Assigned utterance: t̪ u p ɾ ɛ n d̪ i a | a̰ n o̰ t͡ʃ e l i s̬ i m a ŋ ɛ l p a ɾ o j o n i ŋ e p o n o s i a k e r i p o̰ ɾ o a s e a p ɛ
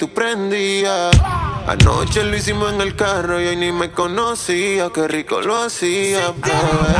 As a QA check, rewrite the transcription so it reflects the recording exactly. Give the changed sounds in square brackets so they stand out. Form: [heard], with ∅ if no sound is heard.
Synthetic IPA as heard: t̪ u p ɾ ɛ n d̪ i a | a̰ n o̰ t͡ʃ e l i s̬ i m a ŋ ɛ l [k] a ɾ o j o n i [m] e [k] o n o s i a k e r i [k] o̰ [l] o a s [i] a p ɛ